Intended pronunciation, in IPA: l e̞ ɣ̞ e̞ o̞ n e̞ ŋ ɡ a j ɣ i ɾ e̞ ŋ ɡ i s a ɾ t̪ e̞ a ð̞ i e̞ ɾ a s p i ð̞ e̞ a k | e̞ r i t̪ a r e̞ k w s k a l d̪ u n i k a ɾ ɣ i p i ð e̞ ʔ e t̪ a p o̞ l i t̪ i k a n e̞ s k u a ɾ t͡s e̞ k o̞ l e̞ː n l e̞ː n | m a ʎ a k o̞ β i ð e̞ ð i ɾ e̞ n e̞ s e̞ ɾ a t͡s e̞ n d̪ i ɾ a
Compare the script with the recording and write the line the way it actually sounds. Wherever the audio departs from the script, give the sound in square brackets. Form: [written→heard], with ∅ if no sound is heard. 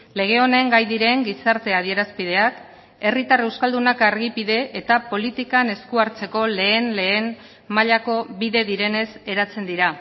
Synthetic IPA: l e̞ ɣ̞ e̞ o̞ n e̞ ŋ ɡ a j [ɣ→ð] i ɾ e̞ ŋ ɡ i s a ɾ t̪ e̞ a ð̞ i e̞ ɾ a s p i ð̞ e̞ a k | e̞ r i t̪ a r e̞ [k→∅] w s k a l d̪ u n [i→a] k a ɾ ɣ i p i ð e̞ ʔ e t̪ a p o̞ l i t̪ i k a n e̞ s k u a ɾ t͡s e̞ k o̞ l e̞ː n l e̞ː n | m a ʎ a k o̞ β i ð e̞ ð i ɾ e̞ n e̞ s e̞ ɾ a t͡s e̞ n d̪ i ɾ a